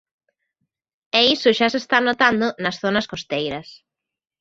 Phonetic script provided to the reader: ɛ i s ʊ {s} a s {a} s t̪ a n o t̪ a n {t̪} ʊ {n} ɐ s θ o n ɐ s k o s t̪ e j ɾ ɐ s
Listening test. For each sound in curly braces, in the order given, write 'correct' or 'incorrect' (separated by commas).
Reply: incorrect, incorrect, incorrect, correct